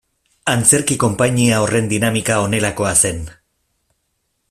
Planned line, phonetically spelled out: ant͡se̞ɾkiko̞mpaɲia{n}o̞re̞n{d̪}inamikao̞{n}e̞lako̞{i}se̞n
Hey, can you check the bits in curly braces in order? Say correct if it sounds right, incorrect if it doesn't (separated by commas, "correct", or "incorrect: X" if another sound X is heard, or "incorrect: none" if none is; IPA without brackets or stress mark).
incorrect: none, correct, correct, incorrect: a